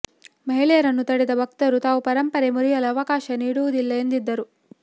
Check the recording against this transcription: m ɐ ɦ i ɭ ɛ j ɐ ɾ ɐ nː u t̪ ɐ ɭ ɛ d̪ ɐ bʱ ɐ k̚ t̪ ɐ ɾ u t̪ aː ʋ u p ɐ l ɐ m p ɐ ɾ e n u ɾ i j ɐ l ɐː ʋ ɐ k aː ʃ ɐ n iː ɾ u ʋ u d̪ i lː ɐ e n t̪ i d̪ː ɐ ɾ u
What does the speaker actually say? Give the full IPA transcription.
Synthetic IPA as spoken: m ɐ ɦ i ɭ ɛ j ɐ ɾ ɐ nː u t̪ ɐ ɽ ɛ d̪ ɐ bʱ ɐ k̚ t̪ ɐ ɾ u t̪ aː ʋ u p ɐ ɾ ɐ m p ɐ ɾ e m u ɾ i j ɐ l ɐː ʋ ɐ k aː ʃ ɐ n iː ɽ u ʋ u d̪ i lː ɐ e n d̪ i d̪ː ɐ ɾ u